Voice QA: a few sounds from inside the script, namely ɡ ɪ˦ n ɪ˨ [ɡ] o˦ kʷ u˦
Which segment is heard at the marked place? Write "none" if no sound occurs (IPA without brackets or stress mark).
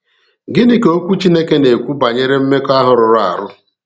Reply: k